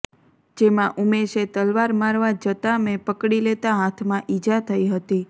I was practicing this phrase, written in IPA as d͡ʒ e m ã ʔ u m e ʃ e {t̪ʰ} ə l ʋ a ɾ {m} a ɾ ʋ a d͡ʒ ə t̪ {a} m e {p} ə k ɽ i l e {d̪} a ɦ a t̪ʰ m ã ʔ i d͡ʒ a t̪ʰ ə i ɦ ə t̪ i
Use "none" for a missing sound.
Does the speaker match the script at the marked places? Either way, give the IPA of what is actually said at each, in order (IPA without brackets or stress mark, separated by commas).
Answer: t̪, m, a, p, t̪